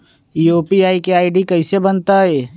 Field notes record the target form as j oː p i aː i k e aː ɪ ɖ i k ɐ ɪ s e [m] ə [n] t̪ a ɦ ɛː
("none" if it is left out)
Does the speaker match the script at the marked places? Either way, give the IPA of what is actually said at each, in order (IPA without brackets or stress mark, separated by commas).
b, n